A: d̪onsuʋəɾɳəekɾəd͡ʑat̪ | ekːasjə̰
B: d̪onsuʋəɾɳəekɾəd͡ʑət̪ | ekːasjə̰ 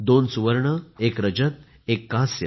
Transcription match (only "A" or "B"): B